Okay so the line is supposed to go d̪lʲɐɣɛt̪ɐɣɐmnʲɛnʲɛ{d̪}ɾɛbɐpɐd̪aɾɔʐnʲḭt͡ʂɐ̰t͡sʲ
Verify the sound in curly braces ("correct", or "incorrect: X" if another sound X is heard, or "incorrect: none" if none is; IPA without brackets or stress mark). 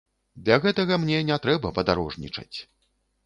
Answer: incorrect: t̪